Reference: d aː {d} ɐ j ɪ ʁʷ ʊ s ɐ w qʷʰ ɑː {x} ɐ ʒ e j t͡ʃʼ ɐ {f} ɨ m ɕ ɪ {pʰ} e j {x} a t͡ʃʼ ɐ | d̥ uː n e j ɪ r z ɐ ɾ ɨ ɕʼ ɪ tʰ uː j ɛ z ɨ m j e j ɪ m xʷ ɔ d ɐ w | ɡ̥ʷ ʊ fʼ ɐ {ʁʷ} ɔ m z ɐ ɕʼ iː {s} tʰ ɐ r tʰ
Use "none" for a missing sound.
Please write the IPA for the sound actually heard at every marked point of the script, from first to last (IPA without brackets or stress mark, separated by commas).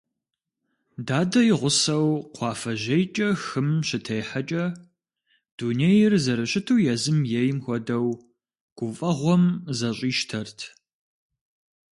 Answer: d, f, x, tʰ, ħ, ʁʷ, ʃ